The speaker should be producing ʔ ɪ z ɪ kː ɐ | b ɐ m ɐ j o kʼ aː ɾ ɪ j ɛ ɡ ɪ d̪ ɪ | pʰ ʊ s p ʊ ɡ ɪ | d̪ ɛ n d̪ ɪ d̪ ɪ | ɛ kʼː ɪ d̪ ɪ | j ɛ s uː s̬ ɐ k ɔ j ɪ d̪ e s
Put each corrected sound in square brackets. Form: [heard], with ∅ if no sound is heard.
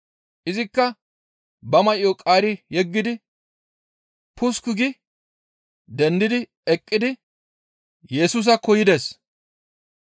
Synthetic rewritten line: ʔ ɪ z ɪ kː ɐ | b ɐ m ɐ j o kʼ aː ɾ ɪ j ɛ [ɡː] ɪ d̪ ɪ | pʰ ʊ s [k] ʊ ɡ ɪ | d̪ ɛ n d̪ ɪ d̪ ɪ | ɛ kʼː ɪ d̪ ɪ | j ɛ s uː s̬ ɐ k ɔ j ɪ d̪ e s